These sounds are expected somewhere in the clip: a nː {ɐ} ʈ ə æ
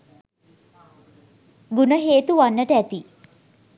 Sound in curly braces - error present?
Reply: yes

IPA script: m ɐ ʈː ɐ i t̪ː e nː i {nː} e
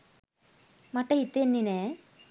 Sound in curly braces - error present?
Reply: yes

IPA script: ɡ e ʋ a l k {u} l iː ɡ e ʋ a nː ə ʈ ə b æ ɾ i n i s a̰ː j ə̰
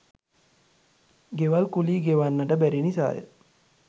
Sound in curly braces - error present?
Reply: no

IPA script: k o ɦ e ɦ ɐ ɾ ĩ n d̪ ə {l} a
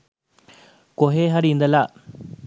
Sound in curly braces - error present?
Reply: no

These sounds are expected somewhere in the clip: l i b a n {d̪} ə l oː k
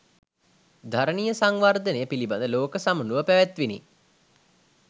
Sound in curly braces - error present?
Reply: no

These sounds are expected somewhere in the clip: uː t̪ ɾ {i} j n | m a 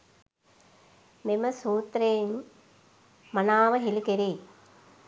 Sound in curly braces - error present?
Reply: yes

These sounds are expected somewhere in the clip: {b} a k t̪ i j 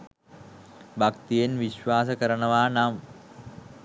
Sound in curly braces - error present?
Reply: no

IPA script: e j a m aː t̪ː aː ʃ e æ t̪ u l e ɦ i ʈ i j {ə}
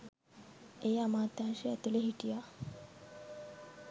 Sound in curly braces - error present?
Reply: yes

